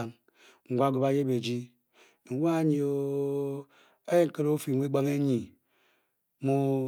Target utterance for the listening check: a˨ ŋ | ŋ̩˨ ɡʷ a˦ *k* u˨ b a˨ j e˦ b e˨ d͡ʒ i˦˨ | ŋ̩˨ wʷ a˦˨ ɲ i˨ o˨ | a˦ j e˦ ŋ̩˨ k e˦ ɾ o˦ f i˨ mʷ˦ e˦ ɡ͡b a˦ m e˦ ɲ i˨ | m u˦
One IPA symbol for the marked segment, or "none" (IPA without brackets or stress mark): ɡ